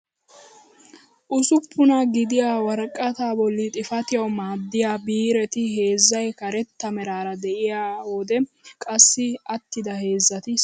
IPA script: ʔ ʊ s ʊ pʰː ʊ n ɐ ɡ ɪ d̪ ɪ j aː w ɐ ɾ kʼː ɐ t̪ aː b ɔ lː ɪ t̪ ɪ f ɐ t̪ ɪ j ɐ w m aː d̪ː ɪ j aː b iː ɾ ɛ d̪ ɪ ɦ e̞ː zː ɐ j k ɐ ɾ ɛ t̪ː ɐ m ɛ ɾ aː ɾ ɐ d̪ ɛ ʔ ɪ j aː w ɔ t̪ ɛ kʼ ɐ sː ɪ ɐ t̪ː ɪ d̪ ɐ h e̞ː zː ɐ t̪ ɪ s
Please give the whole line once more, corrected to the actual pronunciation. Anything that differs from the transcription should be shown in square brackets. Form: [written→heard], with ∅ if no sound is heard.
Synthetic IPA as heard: ʔ ʊ s ʊ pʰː ʊ n ɐ ɡ ɪ d̪ ɪ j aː w ɐ ɾ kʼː ɐ t̪ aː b ɔ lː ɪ [t̪→t̪ʼ] ɪ f ɐ t̪ ɪ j ɐ w m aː d̪ː ɪ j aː b iː ɾ ɛ [d̪→t̪] ɪ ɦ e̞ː zː ɐ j k ɐ ɾ ɛ t̪ː ɐ m ɛ ɾ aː ɾ ɐ d̪ ɛ ʔ ɪ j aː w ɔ [t̪→d̪] ɛ kʼ ɐ sː ɪ ɐ t̪ː ɪ d̪ ɐ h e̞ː zː ɐ t̪ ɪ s